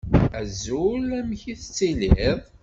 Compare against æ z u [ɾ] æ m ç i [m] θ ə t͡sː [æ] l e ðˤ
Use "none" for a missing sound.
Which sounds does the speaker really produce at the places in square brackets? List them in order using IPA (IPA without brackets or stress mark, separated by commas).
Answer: l, none, i